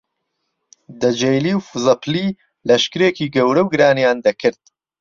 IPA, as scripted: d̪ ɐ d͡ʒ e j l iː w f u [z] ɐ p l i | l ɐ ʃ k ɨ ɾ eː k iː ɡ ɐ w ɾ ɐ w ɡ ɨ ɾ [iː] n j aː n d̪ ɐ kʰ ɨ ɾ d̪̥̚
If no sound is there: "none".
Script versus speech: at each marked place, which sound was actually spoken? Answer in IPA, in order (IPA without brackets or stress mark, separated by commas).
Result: z, aː